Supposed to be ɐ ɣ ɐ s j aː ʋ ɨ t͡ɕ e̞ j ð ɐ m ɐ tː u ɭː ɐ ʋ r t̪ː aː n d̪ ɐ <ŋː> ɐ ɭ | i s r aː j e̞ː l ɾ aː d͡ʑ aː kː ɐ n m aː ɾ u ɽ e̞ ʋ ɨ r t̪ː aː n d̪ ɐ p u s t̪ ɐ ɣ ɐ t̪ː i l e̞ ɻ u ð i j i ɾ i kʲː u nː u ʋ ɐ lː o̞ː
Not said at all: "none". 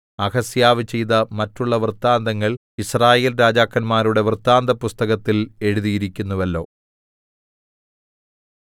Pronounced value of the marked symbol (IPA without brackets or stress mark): ŋː